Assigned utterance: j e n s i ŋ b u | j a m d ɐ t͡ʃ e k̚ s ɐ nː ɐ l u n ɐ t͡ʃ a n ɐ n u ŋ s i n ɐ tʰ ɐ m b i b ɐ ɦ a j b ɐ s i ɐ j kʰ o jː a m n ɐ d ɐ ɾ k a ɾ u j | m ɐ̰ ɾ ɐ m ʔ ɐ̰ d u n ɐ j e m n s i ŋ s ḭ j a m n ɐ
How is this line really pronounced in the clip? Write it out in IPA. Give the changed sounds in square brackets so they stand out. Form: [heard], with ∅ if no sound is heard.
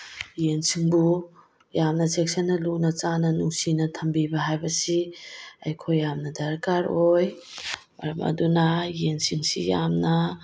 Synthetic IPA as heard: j e n s i ŋ b u | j a m [n] ɐ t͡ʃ e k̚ s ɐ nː ɐ l u n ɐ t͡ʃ a n ɐ n u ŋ s i n ɐ tʰ ɐ m b i b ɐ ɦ a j b ɐ s i ɐ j kʰ o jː a m n ɐ d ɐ ɾ k a ɾ [o] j | m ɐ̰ ɾ ɐ m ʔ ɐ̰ d u n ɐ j e [∅] n s i ŋ s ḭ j a m n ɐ